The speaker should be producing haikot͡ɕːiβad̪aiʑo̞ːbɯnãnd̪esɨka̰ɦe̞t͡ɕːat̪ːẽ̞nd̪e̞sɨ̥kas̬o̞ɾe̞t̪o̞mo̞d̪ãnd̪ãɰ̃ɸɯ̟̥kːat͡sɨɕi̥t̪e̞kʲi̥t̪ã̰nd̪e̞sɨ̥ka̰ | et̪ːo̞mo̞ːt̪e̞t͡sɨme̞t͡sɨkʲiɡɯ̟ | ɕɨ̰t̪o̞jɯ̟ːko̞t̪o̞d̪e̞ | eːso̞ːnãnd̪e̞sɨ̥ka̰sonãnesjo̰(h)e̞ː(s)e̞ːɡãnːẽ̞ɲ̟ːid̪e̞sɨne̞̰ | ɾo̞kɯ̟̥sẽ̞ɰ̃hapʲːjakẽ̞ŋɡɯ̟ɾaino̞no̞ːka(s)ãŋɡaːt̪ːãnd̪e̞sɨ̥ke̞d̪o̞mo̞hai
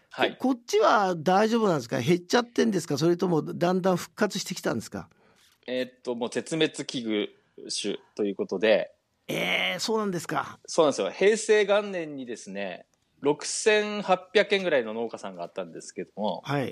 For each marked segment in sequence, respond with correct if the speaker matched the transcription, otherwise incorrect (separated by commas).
correct, correct, correct